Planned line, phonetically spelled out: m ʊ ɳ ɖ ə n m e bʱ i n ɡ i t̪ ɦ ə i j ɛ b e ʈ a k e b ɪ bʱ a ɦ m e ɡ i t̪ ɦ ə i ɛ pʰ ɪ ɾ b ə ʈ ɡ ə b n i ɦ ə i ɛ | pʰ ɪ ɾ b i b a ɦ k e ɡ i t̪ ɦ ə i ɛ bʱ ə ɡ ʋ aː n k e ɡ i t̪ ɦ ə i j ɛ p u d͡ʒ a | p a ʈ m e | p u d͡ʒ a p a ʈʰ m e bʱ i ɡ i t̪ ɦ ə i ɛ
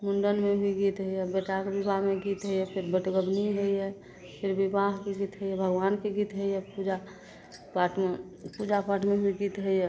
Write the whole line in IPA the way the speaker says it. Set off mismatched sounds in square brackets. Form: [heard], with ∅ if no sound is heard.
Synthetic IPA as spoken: m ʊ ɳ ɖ ə n m e bʱ i [∅] ɡ i t̪ ɦ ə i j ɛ b e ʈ a k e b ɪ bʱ a ɦ m e ɡ i t̪ ɦ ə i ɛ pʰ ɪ ɾ b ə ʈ ɡ ə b n i ɦ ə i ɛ | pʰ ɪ ɾ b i b a ɦ k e ɡ i t̪ ɦ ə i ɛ bʱ ə ɡ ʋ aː n k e ɡ i t̪ ɦ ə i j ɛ p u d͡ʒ a | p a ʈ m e | p u d͡ʒ a p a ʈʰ m e bʱ i ɡ i t̪ ɦ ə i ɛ